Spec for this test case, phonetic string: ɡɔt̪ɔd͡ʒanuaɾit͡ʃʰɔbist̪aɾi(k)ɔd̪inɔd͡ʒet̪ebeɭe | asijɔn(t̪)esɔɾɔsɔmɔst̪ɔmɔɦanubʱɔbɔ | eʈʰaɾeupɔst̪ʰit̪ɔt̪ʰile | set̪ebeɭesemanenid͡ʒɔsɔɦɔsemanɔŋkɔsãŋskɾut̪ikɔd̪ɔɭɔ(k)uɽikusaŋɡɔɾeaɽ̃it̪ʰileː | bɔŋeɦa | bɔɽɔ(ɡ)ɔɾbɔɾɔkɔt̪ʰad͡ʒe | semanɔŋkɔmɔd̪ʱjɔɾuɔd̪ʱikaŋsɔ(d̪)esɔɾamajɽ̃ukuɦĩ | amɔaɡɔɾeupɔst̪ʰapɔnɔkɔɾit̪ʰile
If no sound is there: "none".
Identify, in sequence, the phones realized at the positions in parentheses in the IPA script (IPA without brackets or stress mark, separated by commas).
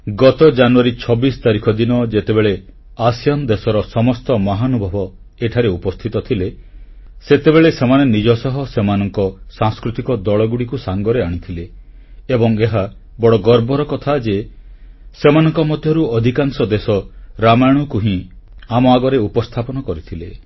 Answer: kʰ, d̪, ɡ, ɡ, d̪